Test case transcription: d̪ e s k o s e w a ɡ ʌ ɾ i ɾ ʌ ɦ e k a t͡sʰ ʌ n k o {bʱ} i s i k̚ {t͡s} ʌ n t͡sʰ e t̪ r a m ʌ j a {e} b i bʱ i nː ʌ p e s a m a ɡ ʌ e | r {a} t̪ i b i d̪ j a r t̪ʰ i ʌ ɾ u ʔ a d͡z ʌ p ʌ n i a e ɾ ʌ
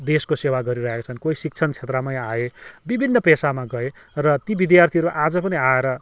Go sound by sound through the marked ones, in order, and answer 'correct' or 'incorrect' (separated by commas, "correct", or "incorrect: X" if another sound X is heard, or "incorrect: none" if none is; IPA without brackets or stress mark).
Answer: incorrect: none, incorrect: t͡sʰ, correct, incorrect: ʌ